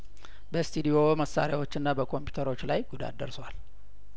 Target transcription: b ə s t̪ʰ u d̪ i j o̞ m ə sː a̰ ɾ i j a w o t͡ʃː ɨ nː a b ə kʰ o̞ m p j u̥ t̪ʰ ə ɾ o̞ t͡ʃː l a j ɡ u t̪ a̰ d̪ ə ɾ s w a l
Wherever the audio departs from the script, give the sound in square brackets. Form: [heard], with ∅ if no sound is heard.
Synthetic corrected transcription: b ə s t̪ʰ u d̪ i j o̞ m ə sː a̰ ɾ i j a w o t͡ʃː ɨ nː a b ə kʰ o̞ m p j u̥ t̪ʰ ə ɾ o̞ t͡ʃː l a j ɡ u [d̪] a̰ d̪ ə ɾ s w a l